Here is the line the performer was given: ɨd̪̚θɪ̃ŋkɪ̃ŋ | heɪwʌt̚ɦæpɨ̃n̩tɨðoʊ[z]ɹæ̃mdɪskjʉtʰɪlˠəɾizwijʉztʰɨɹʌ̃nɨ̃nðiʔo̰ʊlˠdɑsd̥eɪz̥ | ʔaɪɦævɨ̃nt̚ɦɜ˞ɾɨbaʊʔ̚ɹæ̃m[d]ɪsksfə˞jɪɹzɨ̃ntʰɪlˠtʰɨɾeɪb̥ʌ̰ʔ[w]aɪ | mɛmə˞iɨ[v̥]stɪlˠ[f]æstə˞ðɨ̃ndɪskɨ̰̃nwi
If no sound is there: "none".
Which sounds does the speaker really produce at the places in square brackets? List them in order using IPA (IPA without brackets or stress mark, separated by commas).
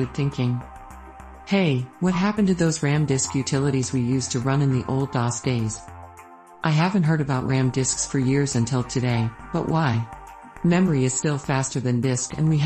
z, d, w, z̥, f